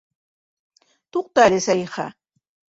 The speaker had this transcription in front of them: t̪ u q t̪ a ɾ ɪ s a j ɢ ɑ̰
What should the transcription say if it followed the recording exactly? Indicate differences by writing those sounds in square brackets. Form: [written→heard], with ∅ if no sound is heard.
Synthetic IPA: t̪ [u→o] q t̪ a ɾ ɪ s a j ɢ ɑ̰

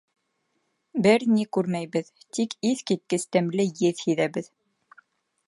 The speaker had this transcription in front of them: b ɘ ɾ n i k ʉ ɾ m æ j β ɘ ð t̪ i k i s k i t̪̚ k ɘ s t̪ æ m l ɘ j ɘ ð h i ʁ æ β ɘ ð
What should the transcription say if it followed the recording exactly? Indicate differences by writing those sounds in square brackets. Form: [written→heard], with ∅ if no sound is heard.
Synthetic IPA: b ɘ ɾ n i k ʉ ɾ m æ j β ɘ ð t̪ i k i [s→θ] k i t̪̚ k ɘ s t̪ æ m l ɘ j ɘ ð h i [ʁ→ð] æ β ɘ ð

